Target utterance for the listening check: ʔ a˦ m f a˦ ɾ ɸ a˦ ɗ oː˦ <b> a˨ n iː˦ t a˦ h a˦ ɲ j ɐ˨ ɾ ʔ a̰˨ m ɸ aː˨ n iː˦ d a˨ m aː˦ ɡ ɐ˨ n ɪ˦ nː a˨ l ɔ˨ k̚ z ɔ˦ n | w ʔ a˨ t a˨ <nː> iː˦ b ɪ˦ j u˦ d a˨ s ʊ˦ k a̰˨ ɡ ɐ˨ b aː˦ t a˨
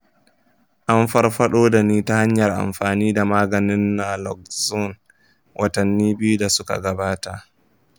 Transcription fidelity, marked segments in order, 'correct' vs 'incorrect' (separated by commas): incorrect, correct